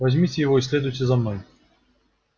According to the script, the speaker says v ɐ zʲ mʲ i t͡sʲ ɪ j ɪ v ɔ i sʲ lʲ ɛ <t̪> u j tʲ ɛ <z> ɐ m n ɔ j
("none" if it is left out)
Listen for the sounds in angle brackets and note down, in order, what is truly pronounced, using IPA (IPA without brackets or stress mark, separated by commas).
d̪, z